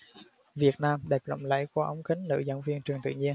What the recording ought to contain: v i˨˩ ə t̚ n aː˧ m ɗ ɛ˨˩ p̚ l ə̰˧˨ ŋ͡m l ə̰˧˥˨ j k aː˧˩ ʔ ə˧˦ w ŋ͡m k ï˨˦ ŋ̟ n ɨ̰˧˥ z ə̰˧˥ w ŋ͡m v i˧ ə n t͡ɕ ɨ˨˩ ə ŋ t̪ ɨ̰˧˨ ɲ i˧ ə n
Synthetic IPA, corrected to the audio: v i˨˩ ə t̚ n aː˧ m ɗ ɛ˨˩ p̚ l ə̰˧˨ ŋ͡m l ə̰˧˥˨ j k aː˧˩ ʔ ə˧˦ w ŋ͡m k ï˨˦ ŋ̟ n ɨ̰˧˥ z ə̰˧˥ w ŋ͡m v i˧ ə n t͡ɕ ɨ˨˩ ə ŋ t̪ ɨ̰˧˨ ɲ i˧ ə n